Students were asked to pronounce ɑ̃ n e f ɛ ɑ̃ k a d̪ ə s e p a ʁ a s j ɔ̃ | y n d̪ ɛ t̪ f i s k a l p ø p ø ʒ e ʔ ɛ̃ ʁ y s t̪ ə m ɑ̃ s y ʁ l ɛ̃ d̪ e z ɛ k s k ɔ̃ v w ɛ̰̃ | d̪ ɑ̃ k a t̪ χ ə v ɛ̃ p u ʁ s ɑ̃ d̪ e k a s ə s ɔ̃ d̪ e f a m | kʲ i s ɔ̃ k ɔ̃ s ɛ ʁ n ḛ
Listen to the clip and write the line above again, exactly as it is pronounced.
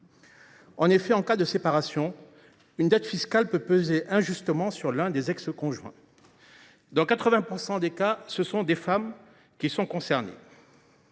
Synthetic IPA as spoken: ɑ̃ n e f ɛ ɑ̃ k a d̪ ə s e p a ʁ a s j ɔ̃ | y n d̪ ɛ t̪ f i s k a l p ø p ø z e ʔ ɛ̃ ʒ y s t̪ ə m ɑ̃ s y ʁ l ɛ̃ d̪ e z ɛ k s k ɔ̃ ʒ w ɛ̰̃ | d̪ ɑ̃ k a t̪ χ ə v ɛ̃ p u ʁ s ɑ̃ d̪ e k a s ə s ɔ̃ d̪ e f a m | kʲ i s ɔ̃ k ɔ̃ s ɛ ʁ n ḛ